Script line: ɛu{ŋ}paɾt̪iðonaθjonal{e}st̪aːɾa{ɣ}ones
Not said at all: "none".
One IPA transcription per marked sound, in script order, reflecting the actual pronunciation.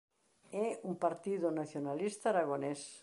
m, i, ɣ

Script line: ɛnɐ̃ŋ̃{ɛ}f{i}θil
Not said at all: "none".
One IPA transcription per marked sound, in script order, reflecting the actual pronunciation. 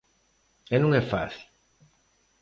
ɛ, a

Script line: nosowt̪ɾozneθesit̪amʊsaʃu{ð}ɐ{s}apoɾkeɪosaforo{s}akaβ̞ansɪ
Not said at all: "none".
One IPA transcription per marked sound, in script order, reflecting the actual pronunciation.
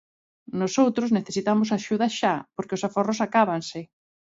ð, ʃ, s

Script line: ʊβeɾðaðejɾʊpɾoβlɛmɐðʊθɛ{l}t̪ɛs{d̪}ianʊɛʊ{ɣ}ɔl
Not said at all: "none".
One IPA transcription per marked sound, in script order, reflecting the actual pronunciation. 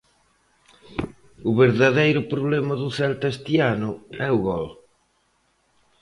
l, t̪, ɣ

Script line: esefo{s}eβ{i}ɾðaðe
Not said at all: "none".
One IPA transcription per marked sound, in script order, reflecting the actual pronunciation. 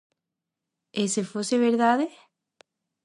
s, e

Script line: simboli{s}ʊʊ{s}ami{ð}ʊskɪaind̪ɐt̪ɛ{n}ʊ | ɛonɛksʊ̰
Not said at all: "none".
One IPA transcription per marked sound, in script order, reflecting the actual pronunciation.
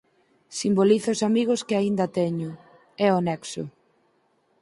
θ, s, ɣ, ɲ

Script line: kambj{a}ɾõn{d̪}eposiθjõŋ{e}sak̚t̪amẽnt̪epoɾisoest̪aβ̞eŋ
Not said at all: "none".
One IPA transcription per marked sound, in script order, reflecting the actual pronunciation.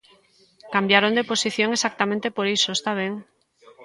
a, d̪, e

